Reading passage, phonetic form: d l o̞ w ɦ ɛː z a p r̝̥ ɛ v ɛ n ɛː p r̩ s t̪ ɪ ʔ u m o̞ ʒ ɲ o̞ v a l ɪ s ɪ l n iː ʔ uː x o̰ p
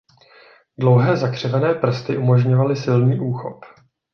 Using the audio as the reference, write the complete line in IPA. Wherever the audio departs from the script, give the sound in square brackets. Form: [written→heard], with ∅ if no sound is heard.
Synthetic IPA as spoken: d l o̞ w ɦ ɛː z a [p→k] r̝̥ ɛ v ɛ n ɛː p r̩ s t̪ ɪ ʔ u m o̞ ʒ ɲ o̞ v a l ɪ s ɪ l n iː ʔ uː x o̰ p